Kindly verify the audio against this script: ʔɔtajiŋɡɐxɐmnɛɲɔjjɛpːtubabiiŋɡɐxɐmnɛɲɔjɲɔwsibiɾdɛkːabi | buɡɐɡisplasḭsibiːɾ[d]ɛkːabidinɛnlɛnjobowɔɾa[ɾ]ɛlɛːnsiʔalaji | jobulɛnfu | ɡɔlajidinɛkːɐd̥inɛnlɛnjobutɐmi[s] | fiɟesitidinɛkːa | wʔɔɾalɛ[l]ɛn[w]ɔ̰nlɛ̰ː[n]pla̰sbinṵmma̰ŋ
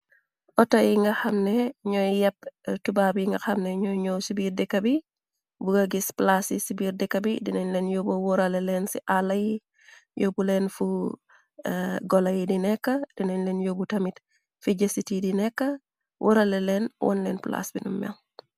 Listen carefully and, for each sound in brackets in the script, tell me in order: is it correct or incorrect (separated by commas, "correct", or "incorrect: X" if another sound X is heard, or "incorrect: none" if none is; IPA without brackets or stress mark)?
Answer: correct, incorrect: l, incorrect: t, correct, correct, correct